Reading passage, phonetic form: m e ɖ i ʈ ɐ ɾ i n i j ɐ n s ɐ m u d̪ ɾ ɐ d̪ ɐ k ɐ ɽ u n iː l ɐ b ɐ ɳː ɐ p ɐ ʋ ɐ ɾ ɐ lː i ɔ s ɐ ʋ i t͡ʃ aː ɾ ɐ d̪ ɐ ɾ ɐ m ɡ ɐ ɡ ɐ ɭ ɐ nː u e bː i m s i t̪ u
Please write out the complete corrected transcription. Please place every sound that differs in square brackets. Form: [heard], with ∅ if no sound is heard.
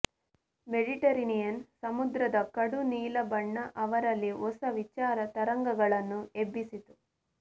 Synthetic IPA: m e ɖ i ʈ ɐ ɾ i n i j ɐ n s ɐ m u d̪ ɾ ɐ d̪ ɐ k ɐ ɽ u n iː l ɐ b ɐ ɳː ɐ [ʔ] ɐ ʋ ɐ ɾ ɐ lː i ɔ s ɐ ʋ i t͡ʃ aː ɾ ɐ [t̪] ɐ ɾ ɐ [ŋ] ɡ ɐ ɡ ɐ ɭ ɐ nː u e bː i [∅] s i t̪ u